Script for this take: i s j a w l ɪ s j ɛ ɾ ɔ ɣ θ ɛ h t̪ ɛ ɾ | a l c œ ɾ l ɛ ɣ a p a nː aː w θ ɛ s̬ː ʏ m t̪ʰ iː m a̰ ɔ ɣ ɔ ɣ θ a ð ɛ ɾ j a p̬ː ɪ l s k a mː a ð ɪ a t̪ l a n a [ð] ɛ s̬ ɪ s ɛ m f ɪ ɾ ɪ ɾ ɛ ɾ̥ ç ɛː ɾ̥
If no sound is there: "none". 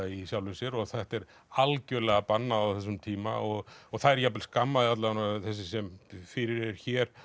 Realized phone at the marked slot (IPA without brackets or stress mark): θ